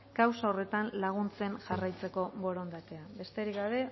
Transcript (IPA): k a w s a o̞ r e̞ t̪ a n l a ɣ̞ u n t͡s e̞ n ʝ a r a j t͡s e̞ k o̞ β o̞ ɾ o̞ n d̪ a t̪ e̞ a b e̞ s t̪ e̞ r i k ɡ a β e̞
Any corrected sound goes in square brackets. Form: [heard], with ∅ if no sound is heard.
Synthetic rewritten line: k a w s a o̞ r e̞ t̪ a n l a ɣ̞ u n t͡s e̞ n ʝ a r a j t͡s e̞ k o̞ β o̞ ɾ o̞ n d̪ a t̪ e̞ a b e̞ s t̪ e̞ [ɾ] i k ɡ a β e̞